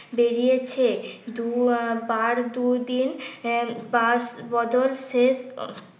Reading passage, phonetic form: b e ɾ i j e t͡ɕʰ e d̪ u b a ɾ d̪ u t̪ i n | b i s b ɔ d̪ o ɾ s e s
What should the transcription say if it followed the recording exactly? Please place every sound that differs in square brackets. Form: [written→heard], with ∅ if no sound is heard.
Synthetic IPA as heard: b e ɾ i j e t͡ɕʰ e d̪ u b a ɾ d̪ u [t̪→d̪] i n | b [i→a] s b ɔ d̪ o [ɾ→l] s e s